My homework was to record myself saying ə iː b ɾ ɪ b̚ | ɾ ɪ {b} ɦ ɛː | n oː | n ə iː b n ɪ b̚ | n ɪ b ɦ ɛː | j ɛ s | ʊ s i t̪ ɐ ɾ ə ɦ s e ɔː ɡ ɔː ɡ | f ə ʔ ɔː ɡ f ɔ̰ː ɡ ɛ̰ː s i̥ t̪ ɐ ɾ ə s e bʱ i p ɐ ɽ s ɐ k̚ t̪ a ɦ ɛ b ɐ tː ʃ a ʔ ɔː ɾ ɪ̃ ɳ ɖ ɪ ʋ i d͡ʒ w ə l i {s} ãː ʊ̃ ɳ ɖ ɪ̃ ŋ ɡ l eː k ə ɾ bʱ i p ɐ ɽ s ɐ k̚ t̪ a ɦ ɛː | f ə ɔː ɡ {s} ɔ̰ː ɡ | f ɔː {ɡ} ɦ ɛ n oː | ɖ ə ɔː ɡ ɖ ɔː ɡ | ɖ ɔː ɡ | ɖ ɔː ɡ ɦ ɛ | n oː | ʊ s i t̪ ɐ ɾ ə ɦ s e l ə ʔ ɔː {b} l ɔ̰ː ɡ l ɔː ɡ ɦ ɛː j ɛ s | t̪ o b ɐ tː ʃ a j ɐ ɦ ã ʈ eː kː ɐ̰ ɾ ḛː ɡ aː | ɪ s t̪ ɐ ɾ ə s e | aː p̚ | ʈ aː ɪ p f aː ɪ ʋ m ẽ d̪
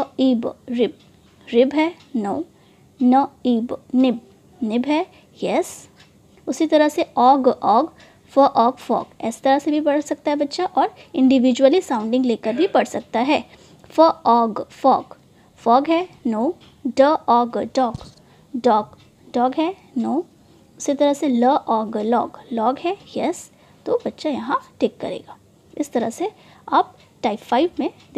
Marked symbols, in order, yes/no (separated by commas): yes, yes, no, yes, no